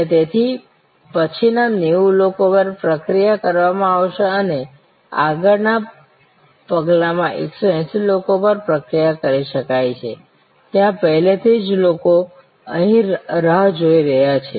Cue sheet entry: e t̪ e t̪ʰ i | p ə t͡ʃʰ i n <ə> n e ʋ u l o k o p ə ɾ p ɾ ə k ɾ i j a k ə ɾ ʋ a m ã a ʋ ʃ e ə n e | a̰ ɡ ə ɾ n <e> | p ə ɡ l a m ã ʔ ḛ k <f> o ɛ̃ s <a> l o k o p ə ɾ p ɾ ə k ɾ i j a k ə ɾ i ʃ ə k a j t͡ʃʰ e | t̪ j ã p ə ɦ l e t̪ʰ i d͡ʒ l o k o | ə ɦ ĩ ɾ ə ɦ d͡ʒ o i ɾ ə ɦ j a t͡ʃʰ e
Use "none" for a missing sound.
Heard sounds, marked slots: a, a, s, i

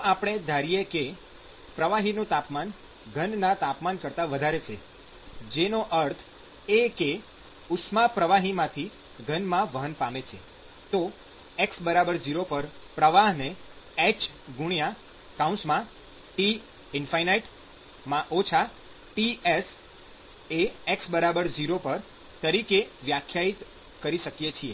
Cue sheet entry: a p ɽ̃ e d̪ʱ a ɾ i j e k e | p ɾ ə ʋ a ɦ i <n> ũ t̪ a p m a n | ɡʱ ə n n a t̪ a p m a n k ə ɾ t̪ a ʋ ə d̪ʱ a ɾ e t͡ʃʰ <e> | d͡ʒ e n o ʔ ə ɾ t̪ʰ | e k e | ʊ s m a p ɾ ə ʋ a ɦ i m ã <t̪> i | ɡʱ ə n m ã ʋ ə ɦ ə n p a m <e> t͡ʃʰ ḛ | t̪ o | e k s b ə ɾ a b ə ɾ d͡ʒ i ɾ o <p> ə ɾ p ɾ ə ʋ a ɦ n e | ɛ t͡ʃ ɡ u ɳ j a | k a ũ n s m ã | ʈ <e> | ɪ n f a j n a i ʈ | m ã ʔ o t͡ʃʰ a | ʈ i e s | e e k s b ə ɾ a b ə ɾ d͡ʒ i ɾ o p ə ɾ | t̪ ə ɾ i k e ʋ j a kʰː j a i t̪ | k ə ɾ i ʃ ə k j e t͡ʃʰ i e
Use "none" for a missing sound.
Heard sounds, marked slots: n, e, t̪ʰ, e, p, i

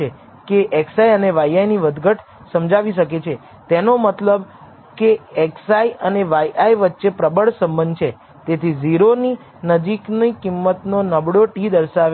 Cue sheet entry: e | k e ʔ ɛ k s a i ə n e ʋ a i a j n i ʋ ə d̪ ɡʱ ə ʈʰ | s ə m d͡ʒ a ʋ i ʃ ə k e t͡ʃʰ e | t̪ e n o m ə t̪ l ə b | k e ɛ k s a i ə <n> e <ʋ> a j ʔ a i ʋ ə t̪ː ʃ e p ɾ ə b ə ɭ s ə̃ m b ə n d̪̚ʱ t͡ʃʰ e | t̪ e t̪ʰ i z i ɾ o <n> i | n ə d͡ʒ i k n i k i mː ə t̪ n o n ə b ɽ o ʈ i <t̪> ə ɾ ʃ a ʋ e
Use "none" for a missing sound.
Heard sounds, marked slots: n, ʋ, n, d̪

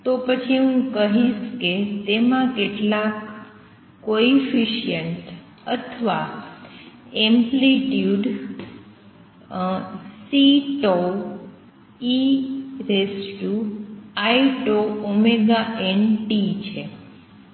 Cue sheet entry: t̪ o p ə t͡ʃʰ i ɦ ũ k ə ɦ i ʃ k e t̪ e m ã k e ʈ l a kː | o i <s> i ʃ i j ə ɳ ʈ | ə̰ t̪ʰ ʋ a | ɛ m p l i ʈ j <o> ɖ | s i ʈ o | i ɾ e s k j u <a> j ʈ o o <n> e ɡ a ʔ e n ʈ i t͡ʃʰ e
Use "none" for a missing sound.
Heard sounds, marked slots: f, u, a, m

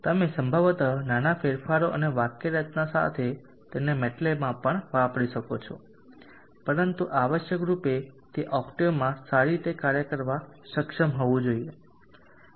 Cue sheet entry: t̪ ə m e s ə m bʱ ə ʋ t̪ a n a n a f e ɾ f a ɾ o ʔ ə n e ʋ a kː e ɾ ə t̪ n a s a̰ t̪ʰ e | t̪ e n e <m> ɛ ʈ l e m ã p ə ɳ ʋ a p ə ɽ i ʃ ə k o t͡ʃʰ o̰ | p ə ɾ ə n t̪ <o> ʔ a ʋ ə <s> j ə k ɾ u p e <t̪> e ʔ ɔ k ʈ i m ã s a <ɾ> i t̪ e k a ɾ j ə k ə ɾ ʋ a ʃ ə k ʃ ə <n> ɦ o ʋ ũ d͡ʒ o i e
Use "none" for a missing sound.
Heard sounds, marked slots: m, u, ʃ, t̪, ɾ, m

